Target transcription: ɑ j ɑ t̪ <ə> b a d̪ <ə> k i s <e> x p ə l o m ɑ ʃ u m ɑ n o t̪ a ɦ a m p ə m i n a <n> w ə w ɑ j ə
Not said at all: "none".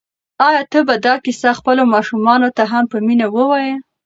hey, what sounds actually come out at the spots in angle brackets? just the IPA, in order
ə, ɑ, a, none

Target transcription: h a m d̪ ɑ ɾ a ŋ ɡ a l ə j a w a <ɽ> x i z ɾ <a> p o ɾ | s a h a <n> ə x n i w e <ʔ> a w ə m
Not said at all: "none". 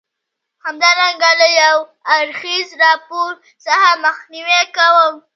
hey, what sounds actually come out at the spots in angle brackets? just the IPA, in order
ɾ, ɑ, m, k

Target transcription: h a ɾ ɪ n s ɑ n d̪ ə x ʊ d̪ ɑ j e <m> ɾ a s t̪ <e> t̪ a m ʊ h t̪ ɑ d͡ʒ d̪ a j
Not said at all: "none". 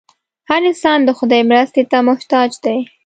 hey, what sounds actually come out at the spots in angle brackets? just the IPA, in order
m, e

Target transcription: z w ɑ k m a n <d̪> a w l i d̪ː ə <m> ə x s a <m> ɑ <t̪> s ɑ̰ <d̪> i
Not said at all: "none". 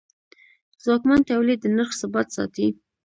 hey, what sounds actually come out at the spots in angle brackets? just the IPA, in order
t̪, n, b, t̪, t̪

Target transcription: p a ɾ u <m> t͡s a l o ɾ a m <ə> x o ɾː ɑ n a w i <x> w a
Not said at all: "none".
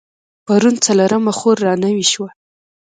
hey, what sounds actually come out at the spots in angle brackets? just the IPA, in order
n, a, ʃ

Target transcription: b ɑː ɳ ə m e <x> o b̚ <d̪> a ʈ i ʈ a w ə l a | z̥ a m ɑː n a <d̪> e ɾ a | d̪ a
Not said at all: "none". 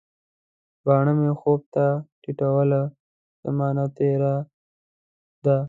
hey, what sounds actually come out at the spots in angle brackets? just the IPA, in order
x, t̪, t̪

